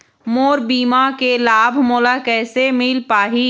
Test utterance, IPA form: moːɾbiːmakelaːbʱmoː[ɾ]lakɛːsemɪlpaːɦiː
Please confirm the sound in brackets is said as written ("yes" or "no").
no